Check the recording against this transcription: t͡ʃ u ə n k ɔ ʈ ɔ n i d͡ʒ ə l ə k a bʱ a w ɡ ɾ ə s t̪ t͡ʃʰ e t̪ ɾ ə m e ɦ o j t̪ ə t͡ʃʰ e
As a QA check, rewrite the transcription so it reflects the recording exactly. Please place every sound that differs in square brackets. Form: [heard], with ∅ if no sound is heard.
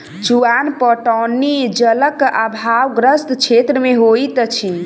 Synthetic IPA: t͡ʃ u [a] n [p] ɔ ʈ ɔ n i d͡ʒ ə l ə k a bʱ a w ɡ ɾ ə s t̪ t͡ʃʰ e t̪ ɾ ə m e ɦ o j t̪ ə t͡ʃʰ [i]